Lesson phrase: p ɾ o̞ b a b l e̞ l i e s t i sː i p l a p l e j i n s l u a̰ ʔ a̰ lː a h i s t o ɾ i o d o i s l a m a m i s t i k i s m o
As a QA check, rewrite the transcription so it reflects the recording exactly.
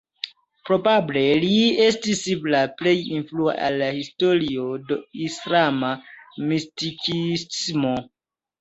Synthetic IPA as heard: p ɾ o̞ b a b l e̞ l i e s t i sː i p l a p l e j i n f l u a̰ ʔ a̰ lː a h i s t o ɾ i o d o i s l a m a m i s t i k i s m o